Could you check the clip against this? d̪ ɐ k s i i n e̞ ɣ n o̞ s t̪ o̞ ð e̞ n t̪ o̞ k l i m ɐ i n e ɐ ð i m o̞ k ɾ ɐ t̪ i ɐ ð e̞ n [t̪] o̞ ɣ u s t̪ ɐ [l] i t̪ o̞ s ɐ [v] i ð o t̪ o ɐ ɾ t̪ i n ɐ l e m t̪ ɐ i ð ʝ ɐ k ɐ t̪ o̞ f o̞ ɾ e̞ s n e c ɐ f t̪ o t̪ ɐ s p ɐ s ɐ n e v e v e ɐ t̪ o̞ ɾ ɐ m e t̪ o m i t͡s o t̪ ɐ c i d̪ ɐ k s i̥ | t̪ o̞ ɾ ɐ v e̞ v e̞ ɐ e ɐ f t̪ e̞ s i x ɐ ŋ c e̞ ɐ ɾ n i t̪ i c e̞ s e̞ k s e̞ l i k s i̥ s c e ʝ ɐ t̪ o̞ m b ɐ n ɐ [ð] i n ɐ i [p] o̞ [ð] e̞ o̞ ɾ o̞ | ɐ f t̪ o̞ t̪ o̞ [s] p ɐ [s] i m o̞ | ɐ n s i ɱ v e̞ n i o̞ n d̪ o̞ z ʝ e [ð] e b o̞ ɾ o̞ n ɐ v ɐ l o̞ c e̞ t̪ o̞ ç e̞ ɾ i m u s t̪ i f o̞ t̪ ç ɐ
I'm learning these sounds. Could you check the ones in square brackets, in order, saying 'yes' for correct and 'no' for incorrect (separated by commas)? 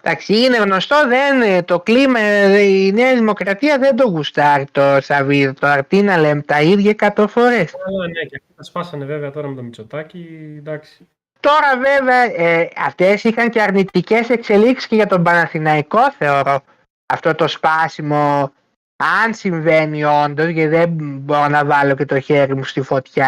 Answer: no, no, yes, no, no, no, yes, yes, yes